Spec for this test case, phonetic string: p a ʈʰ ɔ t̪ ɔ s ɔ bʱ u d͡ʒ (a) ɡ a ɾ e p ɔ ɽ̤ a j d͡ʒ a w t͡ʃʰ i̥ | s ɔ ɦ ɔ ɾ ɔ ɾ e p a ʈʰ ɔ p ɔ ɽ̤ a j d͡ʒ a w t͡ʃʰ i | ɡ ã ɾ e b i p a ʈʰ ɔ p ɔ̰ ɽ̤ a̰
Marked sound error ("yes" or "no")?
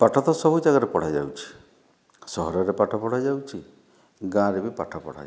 no